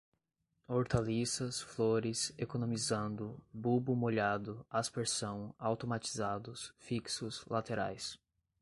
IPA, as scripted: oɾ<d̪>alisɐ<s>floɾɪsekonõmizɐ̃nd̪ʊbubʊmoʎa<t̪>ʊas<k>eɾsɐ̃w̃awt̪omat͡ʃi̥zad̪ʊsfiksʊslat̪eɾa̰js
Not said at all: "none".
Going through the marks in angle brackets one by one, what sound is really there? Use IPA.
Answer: t̪, s, d̪, p

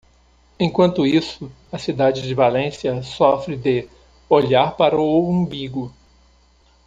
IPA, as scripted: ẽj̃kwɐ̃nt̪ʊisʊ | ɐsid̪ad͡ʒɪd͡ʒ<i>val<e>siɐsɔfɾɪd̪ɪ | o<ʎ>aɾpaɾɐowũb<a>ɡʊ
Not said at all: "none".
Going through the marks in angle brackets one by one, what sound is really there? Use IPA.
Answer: ɪ, ẽ, ʎ, i

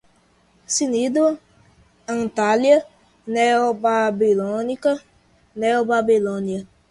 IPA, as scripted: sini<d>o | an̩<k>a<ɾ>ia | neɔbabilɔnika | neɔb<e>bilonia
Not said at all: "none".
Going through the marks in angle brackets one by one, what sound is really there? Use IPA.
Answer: d, t, l, a

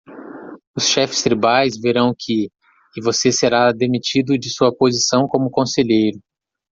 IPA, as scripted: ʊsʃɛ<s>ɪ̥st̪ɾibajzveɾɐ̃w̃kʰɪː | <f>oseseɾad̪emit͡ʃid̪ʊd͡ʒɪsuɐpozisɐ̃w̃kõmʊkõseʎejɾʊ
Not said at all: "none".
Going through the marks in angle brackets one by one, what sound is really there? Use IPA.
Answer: f, v

